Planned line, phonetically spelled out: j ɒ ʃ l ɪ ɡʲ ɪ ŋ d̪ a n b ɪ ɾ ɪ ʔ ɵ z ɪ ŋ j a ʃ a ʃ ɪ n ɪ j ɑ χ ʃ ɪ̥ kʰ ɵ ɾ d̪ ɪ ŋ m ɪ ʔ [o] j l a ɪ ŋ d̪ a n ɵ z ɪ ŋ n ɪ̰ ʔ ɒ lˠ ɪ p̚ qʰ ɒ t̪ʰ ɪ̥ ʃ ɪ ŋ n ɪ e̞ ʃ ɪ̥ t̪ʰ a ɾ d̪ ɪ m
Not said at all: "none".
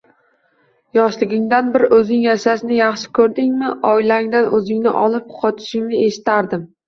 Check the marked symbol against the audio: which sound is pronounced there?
ɒ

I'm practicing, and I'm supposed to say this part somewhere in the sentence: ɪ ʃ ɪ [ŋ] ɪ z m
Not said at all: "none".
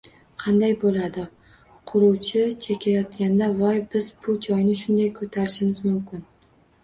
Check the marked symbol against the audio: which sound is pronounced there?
m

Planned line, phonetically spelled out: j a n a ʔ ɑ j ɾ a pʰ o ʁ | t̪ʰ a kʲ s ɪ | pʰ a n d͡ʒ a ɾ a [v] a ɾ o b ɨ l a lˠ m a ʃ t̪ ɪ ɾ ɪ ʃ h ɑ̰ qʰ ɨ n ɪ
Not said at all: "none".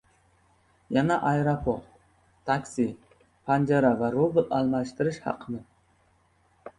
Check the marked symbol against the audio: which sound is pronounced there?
v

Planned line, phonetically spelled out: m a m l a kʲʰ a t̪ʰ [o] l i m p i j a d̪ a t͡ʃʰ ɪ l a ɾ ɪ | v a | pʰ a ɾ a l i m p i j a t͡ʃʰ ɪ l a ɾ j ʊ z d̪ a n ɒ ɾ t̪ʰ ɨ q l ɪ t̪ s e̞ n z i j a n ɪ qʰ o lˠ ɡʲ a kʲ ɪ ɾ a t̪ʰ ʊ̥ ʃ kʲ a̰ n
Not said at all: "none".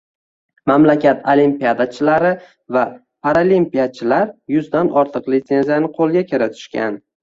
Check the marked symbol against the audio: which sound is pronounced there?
o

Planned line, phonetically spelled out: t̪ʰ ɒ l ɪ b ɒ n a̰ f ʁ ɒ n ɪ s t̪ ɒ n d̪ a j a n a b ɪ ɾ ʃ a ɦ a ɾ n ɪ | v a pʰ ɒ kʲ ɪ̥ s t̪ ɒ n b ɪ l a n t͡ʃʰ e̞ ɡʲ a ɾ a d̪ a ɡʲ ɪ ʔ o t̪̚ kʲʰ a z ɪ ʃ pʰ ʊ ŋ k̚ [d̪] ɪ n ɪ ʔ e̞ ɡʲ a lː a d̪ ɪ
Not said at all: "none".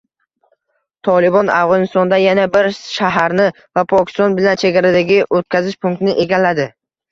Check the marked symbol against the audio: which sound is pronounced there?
t̪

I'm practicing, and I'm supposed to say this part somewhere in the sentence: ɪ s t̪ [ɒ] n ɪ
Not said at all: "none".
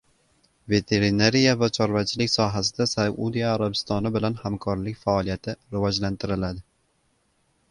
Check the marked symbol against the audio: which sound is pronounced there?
ɒ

